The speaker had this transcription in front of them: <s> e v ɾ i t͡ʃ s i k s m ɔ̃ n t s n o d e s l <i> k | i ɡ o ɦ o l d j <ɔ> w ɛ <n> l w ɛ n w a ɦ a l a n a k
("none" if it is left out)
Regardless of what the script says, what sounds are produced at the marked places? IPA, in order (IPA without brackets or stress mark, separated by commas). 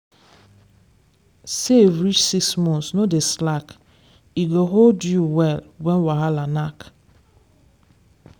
s, a, u, none